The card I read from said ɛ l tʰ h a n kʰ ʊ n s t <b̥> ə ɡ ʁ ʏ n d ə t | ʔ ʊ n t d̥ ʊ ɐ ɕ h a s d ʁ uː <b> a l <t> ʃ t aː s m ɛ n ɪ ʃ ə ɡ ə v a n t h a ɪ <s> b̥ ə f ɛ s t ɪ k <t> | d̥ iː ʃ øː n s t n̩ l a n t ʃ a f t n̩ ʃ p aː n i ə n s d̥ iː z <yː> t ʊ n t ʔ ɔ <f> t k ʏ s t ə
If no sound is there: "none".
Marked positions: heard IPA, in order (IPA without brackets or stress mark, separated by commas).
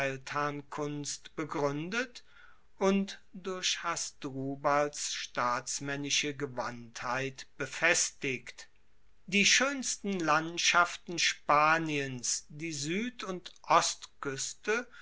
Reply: b̥, b, s, t, t, yː, s